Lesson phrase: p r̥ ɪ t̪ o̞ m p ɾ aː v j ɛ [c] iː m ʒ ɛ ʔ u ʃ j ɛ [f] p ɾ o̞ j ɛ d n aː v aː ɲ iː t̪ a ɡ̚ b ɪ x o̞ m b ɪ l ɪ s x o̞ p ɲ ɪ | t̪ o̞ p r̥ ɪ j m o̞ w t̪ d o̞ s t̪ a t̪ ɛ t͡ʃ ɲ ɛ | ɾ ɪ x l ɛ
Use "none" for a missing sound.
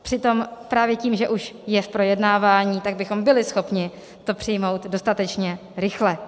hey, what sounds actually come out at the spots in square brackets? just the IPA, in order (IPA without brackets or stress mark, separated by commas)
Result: c, f